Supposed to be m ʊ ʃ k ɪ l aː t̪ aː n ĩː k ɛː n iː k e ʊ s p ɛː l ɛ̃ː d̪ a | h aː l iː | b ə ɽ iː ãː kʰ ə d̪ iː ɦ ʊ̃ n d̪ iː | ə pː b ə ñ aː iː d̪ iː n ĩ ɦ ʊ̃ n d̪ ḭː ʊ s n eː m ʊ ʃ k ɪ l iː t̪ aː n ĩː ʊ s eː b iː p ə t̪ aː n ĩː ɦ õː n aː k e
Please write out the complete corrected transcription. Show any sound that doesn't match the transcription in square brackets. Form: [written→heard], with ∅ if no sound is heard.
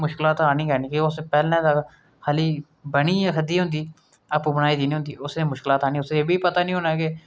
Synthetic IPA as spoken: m ʊ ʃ k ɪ l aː t̪ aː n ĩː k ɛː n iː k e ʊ s p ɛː l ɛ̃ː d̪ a | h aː l iː | b ə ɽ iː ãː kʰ ə d̪ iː ɦ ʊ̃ n d̪ iː | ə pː b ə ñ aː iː d̪ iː n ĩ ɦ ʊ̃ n d̪ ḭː ʊ s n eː m ʊ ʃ k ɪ l [iː→aː] t̪ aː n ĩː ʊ s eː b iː p ə t̪ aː n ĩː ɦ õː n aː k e